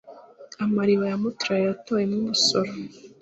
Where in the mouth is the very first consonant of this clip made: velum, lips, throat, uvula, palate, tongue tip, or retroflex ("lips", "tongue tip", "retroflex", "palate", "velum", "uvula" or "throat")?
lips